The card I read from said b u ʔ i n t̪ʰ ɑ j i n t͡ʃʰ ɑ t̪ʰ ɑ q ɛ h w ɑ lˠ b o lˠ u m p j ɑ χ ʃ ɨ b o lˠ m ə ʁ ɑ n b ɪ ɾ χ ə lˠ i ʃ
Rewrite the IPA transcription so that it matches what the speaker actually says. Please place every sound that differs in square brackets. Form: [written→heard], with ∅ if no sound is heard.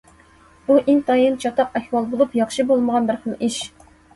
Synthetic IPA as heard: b u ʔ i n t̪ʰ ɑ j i n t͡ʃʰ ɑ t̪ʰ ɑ q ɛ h w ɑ lˠ b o lˠ u [m→∅] p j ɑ χ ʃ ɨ b o lˠ m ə ʁ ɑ n b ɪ ɾ χ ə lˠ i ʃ